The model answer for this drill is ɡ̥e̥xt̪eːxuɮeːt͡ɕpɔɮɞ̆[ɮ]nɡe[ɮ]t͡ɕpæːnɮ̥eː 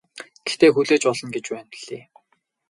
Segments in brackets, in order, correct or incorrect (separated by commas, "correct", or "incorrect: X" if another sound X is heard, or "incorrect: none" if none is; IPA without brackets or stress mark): incorrect: none, incorrect: none